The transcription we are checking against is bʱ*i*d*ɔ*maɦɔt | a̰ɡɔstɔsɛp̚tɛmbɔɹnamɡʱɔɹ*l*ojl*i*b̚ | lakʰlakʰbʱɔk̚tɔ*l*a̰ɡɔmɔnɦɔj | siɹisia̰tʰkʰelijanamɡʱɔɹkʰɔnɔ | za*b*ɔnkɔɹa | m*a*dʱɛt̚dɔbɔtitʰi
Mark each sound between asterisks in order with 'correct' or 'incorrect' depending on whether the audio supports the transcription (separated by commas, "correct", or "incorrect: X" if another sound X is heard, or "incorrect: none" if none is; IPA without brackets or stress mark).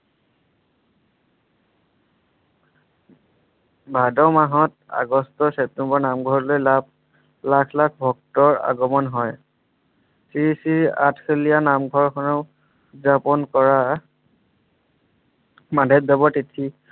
incorrect: a, correct, correct, incorrect: a, incorrect: ɹ, incorrect: p, correct